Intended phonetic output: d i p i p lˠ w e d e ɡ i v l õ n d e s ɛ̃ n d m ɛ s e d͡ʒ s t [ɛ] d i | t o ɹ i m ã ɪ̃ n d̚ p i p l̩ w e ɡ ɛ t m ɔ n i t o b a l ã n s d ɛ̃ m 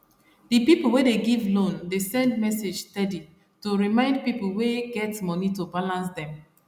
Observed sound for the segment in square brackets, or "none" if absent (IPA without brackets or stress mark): ɛ